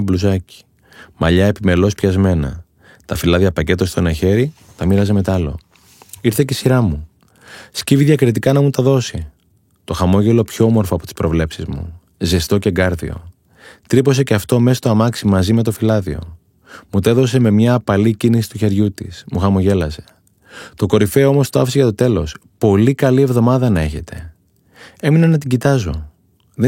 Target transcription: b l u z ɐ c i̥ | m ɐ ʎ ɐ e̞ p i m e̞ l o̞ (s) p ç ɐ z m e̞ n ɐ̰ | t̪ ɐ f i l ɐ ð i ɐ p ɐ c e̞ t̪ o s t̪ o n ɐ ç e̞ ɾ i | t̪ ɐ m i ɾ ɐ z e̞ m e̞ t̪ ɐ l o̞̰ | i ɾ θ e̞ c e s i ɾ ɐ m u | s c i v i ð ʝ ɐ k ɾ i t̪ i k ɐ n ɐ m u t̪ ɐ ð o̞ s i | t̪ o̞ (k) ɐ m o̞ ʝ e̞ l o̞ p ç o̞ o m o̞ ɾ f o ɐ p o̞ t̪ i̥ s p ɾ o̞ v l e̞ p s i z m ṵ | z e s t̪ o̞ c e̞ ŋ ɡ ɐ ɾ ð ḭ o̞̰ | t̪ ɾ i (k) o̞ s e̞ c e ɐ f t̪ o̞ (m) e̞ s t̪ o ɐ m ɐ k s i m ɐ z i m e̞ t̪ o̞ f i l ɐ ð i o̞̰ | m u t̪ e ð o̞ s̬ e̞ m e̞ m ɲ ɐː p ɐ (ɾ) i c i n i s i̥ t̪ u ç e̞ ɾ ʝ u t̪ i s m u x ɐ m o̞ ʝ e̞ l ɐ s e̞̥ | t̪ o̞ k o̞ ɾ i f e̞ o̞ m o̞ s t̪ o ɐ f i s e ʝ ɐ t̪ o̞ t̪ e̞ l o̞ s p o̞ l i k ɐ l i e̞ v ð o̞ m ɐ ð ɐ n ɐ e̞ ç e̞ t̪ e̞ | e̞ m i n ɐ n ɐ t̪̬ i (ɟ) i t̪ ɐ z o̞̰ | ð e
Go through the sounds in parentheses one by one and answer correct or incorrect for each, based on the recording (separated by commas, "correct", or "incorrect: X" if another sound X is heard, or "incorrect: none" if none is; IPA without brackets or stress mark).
correct, incorrect: x, incorrect: p, correct, incorrect: l, correct